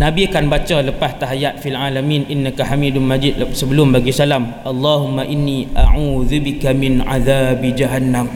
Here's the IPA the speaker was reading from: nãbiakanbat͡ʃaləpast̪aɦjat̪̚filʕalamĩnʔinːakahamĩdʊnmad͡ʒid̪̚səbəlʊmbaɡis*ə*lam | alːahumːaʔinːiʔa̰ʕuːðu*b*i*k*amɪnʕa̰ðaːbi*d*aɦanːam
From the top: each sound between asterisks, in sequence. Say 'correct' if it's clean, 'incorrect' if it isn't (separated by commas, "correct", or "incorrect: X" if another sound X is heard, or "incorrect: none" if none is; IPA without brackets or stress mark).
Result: incorrect: a, correct, correct, incorrect: d͡ʒ